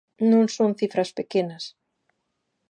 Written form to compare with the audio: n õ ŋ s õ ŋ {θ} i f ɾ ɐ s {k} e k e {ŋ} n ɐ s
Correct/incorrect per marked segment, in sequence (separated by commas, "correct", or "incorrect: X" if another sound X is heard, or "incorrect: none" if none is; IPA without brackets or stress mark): correct, incorrect: p, incorrect: none